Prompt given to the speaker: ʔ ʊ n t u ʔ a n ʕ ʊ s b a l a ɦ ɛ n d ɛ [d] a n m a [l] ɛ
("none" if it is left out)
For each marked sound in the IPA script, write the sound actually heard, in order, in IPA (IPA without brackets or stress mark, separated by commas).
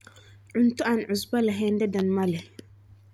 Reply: d, l